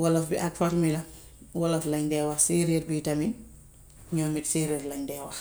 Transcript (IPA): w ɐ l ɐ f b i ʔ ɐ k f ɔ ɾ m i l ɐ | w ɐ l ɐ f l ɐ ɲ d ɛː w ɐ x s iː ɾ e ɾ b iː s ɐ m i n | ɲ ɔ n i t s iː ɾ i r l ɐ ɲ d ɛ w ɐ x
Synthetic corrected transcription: w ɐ l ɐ f b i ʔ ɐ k f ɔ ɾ m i l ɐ | w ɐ l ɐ f l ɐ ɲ d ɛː w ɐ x s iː ɾ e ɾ b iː t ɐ m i n | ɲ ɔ m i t s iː ɾ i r l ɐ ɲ d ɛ w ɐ x